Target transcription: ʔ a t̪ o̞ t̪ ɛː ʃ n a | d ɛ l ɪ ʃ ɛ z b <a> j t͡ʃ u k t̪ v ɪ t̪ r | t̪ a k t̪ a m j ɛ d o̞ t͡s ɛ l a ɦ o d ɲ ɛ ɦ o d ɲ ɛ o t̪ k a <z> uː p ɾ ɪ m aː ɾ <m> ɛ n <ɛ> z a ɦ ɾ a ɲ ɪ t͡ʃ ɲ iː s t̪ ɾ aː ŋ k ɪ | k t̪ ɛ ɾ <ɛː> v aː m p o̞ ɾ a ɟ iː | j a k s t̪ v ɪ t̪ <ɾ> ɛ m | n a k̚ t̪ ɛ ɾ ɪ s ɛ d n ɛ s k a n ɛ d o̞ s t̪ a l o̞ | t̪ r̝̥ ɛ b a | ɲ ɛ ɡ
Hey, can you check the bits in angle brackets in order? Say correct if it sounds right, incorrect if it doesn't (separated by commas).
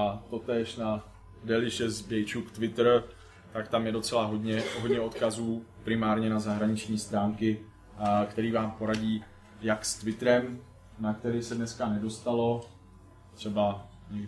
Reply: incorrect, correct, incorrect, incorrect, incorrect, correct